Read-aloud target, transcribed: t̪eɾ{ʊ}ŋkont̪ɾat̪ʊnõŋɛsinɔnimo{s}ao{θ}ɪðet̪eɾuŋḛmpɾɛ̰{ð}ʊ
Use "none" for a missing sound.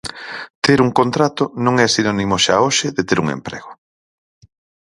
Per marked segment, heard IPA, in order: u, ʃ, ʃ, ɣ

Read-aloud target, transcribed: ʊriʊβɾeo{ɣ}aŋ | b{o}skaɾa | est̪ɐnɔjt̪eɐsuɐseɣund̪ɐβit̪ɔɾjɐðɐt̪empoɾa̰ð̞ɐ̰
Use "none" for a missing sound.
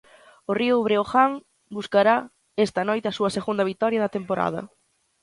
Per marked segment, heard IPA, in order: x, u

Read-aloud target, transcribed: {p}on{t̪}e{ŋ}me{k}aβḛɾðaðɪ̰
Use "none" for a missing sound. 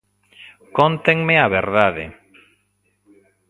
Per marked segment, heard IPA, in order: k, t̪, ŋ, none

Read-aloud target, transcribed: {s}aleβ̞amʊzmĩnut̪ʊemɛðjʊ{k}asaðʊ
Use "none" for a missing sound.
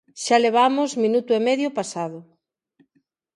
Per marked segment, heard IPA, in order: ʃ, p

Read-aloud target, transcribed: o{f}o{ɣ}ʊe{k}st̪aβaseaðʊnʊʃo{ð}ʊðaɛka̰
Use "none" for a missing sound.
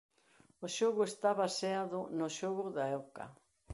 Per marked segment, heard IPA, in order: ʃ, ɣ, none, ɣ

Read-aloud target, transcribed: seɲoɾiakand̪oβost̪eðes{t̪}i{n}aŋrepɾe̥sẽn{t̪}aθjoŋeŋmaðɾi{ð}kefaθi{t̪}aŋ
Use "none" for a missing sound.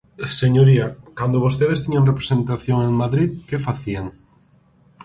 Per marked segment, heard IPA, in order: t̪, ɲ, t̪, ð, none

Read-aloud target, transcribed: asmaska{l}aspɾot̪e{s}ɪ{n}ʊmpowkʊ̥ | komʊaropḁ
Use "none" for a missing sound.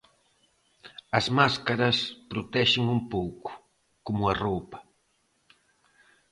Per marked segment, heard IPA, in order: ɾ, ʃ, ŋ

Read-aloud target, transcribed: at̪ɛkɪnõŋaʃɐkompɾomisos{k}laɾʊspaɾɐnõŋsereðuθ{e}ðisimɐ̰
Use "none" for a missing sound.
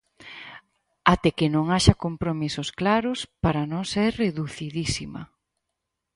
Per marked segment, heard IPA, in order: k, i

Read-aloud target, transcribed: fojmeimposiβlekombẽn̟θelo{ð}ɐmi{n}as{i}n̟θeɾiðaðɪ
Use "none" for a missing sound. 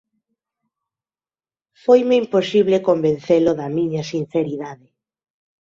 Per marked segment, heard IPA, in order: ð, ɲ, i

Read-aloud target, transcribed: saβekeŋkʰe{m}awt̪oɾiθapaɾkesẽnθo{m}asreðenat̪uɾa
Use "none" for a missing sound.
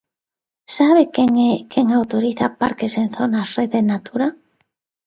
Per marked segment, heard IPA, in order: ŋ, n

